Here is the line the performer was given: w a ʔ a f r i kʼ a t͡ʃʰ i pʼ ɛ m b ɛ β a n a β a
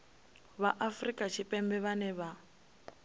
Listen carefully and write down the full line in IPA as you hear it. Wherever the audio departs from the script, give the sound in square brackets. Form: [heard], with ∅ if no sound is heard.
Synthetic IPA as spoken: [β] a ʔ a f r i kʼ a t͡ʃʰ i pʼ ɛ m b ɛ β a n [ɛ] β a